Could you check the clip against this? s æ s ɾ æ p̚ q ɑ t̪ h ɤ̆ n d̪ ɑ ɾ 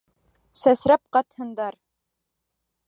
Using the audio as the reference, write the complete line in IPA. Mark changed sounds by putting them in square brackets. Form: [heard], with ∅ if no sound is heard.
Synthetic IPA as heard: s æ s ɾ æ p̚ q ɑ t̪ h ɤ̆ n d̪ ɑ ɾ